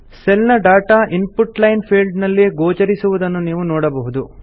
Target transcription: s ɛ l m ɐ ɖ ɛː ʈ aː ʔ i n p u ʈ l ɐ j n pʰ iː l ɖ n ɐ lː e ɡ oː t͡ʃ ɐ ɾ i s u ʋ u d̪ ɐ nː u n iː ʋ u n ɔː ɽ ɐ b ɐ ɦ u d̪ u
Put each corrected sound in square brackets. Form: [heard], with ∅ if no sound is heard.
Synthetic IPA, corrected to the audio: s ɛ l [n] ɐ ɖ [aː] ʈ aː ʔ i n p u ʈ l ɐ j n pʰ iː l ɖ n ɐ lː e ɡ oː t͡ʃ ɐ ɾ i s u ʋ u d̪ ɐ nː u n iː ʋ u n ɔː ɽ ɐ b ɐ ɦ u d̪ u